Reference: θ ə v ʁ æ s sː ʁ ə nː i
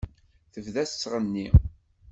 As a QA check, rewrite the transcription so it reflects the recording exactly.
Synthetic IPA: θ ə v ð æ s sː ʁ ə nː i